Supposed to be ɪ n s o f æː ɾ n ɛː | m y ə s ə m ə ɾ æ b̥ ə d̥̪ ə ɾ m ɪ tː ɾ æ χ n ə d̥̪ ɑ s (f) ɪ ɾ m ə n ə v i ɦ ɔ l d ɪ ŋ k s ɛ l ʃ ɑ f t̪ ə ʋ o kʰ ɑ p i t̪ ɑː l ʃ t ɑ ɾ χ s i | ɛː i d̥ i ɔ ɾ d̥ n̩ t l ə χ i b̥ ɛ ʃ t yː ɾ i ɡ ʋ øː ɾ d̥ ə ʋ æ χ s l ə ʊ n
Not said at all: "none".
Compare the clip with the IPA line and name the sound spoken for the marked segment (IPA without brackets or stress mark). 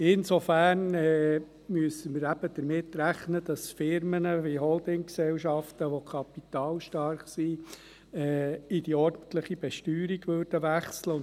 f